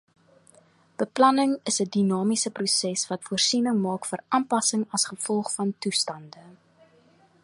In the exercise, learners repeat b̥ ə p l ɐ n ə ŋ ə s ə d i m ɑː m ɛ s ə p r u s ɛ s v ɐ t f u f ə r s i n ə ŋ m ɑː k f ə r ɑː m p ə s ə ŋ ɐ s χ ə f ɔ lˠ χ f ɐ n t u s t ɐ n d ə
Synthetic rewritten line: b̥ ə p l ɐ n ə ŋ ə s ə d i n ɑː m i s ə p r u s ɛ s v ɐ t f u ə r s i n ə ŋ m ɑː k f ə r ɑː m p ɐ s ə ŋ ɐ s χ ə f ɔ lˠ χ f ɐ n t u s t ɐ n d ə